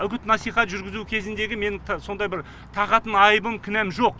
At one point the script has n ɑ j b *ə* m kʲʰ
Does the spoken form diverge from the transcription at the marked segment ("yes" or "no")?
no